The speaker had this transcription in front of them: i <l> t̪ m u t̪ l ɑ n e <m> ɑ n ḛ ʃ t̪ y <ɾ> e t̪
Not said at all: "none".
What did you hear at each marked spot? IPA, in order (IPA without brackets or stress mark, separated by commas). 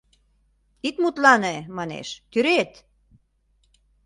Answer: none, m, ɾ